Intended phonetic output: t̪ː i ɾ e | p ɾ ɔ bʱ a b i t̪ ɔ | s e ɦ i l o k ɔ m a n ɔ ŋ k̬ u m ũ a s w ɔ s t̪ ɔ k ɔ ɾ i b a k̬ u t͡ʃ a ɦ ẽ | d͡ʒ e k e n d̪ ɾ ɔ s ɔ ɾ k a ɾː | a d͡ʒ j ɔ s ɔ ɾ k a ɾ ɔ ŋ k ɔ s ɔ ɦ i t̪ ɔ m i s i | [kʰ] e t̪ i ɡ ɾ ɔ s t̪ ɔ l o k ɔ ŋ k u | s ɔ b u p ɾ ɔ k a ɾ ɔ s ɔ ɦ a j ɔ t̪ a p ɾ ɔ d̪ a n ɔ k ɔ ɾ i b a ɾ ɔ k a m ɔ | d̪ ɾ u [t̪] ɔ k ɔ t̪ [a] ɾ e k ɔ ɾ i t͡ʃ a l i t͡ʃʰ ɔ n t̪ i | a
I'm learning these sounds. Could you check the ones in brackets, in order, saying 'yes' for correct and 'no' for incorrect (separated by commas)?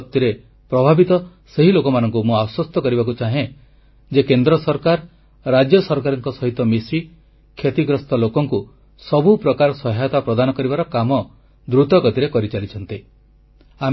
yes, yes, no